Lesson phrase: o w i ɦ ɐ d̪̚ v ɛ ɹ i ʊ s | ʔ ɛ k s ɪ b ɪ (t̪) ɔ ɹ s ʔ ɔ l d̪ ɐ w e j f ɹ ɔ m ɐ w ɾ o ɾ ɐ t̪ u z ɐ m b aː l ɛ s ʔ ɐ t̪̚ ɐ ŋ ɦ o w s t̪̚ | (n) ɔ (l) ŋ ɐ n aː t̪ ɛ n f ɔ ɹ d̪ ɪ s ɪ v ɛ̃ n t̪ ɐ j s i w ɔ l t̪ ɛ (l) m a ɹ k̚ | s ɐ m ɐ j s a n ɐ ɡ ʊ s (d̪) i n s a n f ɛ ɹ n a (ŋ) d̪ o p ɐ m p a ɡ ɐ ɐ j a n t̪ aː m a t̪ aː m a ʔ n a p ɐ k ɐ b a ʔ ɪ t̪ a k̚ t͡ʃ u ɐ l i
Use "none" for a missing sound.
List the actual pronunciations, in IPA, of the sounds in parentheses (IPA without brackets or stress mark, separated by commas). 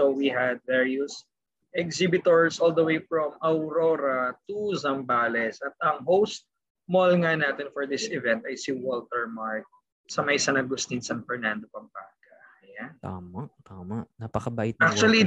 t̪, m, l, ɹ, t̪, n